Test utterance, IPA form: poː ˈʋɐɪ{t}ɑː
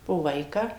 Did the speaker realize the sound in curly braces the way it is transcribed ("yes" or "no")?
no